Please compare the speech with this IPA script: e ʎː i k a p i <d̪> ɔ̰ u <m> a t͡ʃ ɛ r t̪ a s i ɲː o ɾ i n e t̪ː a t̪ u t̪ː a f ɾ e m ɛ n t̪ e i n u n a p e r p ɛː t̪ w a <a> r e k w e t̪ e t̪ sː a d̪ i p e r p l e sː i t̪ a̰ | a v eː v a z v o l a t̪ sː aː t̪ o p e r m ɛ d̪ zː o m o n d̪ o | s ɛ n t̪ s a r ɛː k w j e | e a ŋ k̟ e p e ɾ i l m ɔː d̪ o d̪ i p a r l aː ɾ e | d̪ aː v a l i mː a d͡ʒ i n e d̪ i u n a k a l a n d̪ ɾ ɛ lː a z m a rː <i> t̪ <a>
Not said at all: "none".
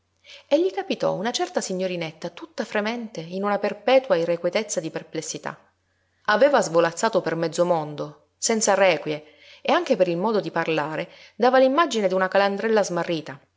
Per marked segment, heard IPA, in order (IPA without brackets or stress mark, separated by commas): t̪, n, i, iː, a